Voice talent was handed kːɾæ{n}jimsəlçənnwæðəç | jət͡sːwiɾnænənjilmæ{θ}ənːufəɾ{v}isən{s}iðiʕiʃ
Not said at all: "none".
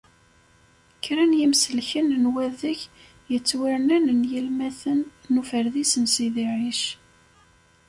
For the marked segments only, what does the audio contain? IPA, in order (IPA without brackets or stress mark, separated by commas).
n, θ, ð, s